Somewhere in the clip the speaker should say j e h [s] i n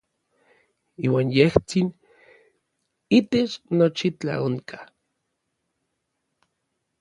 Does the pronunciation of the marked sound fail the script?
yes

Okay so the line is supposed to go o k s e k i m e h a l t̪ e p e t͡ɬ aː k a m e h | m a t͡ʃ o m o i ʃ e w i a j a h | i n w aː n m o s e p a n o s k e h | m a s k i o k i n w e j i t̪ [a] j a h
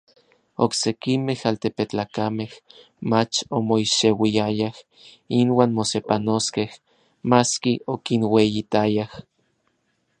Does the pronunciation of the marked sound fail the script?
no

